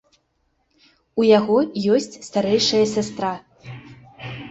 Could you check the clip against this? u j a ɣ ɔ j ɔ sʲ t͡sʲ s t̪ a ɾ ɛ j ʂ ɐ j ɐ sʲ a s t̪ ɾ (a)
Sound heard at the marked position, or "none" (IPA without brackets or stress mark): a